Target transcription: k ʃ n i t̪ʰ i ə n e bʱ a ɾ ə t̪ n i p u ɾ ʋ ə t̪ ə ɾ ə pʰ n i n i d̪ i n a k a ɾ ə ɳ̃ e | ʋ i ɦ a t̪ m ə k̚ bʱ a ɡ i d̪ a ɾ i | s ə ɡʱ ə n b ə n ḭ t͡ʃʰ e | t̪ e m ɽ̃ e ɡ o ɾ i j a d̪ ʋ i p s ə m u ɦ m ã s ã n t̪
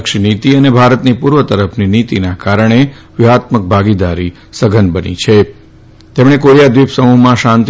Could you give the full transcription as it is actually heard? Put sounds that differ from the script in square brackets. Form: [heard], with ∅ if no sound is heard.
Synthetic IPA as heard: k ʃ n i [t̪] i ə n e bʱ a ɾ ə t̪ n i p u ɾ ʋ ə t̪ ə ɾ ə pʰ n i n i [t̪] i n a k a ɾ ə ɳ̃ e | ʋ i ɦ a t̪ m ə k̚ bʱ a ɡ i d̪ a ɾ i | s ə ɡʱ ə n b ə n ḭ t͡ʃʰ e | t̪ e m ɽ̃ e [k] o ɾ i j a d̪ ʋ i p s ə m u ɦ m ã [ʃ] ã n t̪